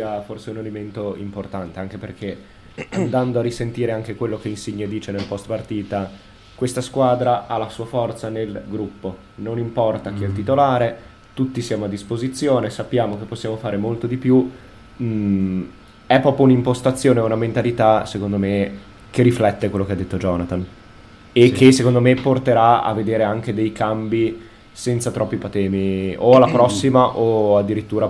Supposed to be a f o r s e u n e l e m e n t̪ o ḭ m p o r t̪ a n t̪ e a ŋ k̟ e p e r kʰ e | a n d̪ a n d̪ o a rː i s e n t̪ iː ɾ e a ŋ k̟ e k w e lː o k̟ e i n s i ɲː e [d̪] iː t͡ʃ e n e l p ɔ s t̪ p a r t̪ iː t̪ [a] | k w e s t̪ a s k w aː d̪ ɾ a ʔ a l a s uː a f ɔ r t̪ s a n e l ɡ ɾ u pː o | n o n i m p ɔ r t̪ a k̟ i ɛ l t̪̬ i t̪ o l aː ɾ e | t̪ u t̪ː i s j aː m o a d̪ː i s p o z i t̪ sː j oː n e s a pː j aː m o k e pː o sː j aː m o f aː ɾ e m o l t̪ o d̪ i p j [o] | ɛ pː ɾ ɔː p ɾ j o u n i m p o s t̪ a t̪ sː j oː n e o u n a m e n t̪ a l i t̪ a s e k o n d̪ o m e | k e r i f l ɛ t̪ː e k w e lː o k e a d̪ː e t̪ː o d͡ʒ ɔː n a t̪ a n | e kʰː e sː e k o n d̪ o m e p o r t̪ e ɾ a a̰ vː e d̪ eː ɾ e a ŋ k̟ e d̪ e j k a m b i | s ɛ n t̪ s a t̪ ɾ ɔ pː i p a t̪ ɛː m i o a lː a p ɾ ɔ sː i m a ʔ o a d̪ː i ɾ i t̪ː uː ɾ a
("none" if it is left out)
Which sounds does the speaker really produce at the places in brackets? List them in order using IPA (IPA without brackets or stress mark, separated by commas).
d̪, a, u